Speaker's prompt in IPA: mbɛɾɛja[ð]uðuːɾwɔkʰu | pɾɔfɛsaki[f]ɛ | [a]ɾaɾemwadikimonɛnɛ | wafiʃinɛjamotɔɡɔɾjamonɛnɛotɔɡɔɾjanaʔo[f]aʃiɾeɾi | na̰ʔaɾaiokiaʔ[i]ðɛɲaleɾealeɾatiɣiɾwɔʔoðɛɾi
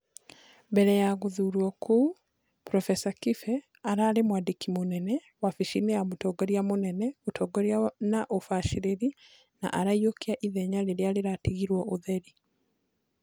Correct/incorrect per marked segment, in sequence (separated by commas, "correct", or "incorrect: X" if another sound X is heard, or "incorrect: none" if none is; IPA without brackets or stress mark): incorrect: ɣ, correct, correct, correct, correct